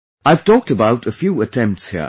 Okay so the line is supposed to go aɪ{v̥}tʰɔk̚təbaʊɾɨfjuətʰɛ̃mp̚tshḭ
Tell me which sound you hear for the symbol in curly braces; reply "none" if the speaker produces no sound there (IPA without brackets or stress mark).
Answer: v̥